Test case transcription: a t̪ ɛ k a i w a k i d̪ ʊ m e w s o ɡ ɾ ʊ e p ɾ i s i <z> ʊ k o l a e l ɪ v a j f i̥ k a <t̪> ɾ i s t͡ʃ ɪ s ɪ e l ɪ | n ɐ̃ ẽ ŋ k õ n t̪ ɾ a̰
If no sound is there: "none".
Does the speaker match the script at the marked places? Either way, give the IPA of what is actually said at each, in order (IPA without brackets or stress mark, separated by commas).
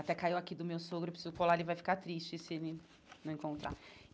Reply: z, t̪